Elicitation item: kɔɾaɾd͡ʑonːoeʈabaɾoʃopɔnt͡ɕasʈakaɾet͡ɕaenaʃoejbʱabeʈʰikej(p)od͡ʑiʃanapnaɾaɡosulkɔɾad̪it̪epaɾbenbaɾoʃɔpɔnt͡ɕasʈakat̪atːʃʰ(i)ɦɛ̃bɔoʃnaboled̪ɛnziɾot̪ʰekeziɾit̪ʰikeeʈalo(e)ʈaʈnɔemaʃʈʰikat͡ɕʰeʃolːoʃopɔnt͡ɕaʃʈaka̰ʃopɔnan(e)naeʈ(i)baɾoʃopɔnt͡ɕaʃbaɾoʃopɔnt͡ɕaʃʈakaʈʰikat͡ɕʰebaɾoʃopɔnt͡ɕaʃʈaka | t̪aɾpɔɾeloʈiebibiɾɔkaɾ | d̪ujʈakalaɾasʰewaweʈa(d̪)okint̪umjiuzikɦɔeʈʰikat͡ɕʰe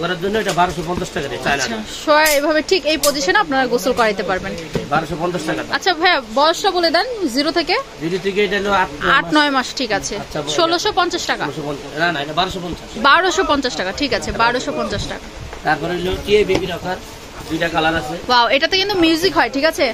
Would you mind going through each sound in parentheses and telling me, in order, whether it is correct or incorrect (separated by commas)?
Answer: correct, incorrect, incorrect, incorrect, incorrect, incorrect